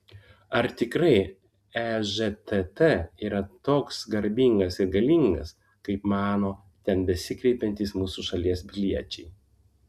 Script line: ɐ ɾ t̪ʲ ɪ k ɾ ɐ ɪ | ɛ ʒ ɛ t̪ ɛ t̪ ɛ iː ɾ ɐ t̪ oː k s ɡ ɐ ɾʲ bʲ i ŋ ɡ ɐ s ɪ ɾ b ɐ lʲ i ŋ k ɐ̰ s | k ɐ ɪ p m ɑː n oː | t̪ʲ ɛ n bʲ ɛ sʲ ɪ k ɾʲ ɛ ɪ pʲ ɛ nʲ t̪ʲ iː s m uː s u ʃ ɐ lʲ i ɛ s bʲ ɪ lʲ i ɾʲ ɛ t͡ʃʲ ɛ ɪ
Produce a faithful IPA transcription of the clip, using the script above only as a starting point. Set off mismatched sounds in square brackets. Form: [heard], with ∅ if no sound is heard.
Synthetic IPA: ɐ ɾ t̪ʲ ɪ k ɾ ɐ ɪ | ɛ ʒ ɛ t̪ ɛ t̪ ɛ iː ɾ ɐ t̪ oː k s ɡ ɐ ɾʲ bʲ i ŋ ɡ ɐ s ɪ ɾ [ɡ] ɐ lʲ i ŋ [ɡ] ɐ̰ s | k ɐ ɪ p m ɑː n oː | t̪ʲ ɛ n bʲ ɛ sʲ ɪ k ɾʲ ɛ ɪ pʲ ɛ nʲ t̪ʲ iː s m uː s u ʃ ɐ lʲ i ɛ s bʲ ɪ lʲ i [∅] ɛ t͡ʃʲ ɛ ɪ

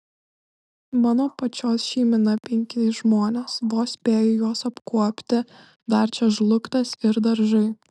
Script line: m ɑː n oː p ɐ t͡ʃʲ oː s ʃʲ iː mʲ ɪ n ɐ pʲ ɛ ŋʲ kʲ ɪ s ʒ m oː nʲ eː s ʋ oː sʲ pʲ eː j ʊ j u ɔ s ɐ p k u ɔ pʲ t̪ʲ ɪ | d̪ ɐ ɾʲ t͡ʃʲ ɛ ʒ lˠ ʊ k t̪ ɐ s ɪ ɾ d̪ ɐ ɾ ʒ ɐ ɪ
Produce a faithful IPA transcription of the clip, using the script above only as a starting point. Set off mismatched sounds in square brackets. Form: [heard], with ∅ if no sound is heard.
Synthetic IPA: m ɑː n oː p ɐ t͡ʃʲ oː s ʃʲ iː mʲ ɪ n ɐ pʲ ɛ ŋʲ kʲ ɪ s ʒ m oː nʲ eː s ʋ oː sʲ pʲ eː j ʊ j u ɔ s ɐ p k u ɔ pʲ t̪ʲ ɪ | d̪ ɐ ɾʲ t͡ʃʲ ɛ ʒ lˠ ʊ k t̪ ɐ s ɪ ɾ d̪ ɐ ɾ ʒ ɐ ɪ

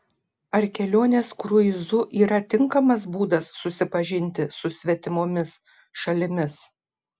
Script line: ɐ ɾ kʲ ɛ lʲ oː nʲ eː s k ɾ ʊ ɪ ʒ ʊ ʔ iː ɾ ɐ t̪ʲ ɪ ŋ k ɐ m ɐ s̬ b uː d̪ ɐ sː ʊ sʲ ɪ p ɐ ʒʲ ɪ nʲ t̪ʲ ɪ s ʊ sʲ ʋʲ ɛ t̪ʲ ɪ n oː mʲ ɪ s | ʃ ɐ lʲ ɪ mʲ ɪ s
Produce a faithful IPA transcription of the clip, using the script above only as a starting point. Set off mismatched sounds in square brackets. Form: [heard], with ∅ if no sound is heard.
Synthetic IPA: ɐ ɾ kʲ ɛ lʲ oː nʲ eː s k ɾ ʊ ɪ [z] ʊ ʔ iː ɾ ɐ t̪ʲ ɪ ŋ k ɐ m ɐ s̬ b uː d̪ ɐ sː ʊ sʲ ɪ p ɐ ʒʲ ɪ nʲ t̪ʲ ɪ s ʊ sʲ ʋʲ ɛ t̪ʲ ɪ [m] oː mʲ ɪ s | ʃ ɐ lʲ ɪ mʲ ɪ s

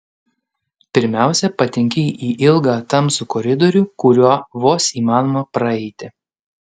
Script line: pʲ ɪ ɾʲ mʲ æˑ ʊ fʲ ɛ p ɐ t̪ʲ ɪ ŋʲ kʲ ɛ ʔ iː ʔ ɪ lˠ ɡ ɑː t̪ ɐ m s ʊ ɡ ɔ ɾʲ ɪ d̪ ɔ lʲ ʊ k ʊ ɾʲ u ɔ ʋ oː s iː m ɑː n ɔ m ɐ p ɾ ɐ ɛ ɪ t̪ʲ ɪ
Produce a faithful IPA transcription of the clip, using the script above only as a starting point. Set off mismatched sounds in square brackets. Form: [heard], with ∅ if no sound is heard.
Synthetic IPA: pʲ ɪ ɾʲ mʲ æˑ ʊ [sʲ] ɛ p ɐ t̪ʲ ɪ ŋʲ kʲ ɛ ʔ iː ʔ ɪ lˠ ɡ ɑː t̪ ɐ m s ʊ [k] ɔ ɾʲ ɪ d̪ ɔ [ɾʲ] ʊ k ʊ ɾʲ u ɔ ʋ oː s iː m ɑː n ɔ m ɐ p ɾ ɐ ɛ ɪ t̪ʲ ɪ

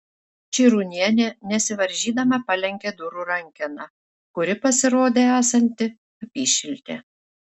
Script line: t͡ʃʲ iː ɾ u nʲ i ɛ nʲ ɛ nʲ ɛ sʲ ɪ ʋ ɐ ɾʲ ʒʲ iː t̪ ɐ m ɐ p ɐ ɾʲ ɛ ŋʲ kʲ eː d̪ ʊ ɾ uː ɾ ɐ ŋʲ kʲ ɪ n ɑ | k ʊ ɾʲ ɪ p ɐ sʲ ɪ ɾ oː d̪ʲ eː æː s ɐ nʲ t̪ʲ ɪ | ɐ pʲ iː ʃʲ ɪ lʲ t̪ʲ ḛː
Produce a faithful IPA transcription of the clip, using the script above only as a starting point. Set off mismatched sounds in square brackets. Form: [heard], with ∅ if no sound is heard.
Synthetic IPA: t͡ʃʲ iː ɾ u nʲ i ɛ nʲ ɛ nʲ ɛ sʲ ɪ ʋ ɐ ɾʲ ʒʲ iː [d̪] ɐ m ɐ p ɐ [lʲ] ɛ ŋʲ kʲ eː d̪ ʊ ɾ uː ɾ ɐ ŋʲ kʲ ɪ n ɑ | k ʊ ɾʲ ɪ p ɐ sʲ ɪ ɾ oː d̪ʲ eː æː s ɐ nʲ t̪ʲ ɪ | ɐ pʲ iː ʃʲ ɪ lʲ t̪ʲ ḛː

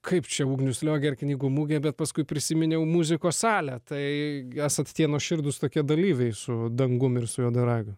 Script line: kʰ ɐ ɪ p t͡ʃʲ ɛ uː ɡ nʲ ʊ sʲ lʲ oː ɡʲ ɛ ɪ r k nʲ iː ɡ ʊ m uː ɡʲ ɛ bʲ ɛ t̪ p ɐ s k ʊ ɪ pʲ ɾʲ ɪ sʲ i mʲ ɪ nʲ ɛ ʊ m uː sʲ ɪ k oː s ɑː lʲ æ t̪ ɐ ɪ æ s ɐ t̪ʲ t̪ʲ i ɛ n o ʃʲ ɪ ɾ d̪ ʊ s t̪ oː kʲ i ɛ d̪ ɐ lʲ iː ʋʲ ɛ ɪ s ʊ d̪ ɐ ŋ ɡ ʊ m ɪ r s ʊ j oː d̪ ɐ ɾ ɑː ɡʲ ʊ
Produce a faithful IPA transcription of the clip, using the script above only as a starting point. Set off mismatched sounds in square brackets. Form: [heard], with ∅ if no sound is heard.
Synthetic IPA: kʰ ɐ ɪ p t͡ʃʲ ɛ uː ɡ nʲ ʊ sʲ lʲ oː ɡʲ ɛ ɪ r k nʲ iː ɡ ʊ m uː ɡʲ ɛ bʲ ɛ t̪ p ɐ s k ʊ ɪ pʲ ɾʲ ɪ sʲ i mʲ ɪ nʲ ɛ ʊ m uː [zʲ] ɪ k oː s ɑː lʲ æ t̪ ɐ ɪ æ s ɐ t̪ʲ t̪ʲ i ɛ n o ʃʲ ɪ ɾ d̪ ʊ s t̪ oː kʲ i ɛ d̪ ɐ lʲ iː ʋʲ ɛ ɪ s ʊ d̪ ɐ ŋ ɡ ʊ m ɪ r s ʊ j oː d̪ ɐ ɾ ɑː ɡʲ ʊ

